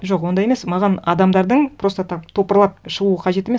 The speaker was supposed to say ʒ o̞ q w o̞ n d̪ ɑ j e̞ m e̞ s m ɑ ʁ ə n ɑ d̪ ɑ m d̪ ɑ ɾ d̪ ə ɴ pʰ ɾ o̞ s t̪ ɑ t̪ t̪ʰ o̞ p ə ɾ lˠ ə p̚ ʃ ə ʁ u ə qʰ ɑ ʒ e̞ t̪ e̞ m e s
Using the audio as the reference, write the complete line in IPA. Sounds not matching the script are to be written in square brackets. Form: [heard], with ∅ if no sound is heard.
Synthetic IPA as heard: ʒ o̞ q w o̞ n d̪ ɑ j e̞ m e̞ s m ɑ ʁ [ɑ] n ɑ d̪ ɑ m d̪ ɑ ɾ d̪ ə ɴ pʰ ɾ o̞ s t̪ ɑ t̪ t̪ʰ o̞ p ə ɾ lˠ [ɑ] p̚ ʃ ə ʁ u ə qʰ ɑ ʒ e̞ t̪ e̞ m e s